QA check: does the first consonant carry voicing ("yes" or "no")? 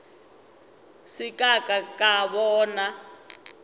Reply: no